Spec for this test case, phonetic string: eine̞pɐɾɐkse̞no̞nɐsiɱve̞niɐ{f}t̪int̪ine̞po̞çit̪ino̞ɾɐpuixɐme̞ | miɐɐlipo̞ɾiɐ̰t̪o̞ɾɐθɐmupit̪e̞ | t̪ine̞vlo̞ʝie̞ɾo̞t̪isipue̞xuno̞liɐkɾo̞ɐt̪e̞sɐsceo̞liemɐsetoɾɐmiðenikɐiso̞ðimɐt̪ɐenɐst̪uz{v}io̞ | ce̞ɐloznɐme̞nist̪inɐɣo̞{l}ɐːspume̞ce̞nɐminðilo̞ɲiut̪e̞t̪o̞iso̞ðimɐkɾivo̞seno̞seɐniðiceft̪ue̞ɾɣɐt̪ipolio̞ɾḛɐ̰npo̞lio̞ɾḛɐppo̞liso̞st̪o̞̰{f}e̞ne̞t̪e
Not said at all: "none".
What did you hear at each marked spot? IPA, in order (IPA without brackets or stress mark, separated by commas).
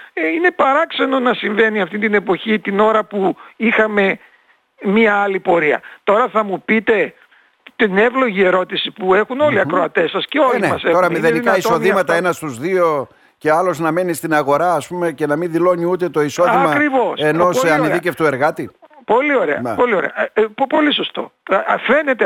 f, ð, ɾ, f